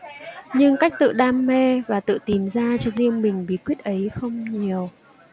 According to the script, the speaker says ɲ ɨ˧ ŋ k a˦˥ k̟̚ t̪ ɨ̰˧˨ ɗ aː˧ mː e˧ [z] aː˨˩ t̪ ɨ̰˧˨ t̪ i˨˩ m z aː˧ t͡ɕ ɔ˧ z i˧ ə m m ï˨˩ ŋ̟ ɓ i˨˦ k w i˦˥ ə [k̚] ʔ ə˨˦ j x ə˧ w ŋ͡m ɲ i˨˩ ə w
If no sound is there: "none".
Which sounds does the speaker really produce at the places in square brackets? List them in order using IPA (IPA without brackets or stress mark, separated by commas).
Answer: v, t̚